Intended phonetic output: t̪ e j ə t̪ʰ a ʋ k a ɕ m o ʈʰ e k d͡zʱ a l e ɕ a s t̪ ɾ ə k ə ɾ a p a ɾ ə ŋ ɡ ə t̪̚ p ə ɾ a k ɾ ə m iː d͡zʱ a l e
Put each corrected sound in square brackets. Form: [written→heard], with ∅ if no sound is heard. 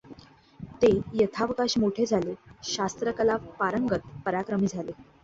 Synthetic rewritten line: t̪ e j ə t̪ʰ a ʋ k a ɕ m o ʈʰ e [k→∅] d͡zʱ a l e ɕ a s t̪ ɾ ə k ə [ɾ→l] a p a ɾ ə ŋ ɡ ə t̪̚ p ə ɾ a k ɾ ə m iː d͡zʱ a l e